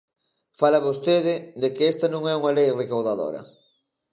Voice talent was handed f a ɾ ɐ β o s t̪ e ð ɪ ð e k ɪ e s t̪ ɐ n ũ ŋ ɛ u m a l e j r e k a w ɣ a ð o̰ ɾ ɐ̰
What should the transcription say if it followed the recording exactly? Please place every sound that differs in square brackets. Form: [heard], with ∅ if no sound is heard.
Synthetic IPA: f a [l] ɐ β o s t̪ e ð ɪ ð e k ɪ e s t̪ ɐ n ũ ŋ ɛ u [ŋ] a l e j r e k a w [ð] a ð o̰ ɾ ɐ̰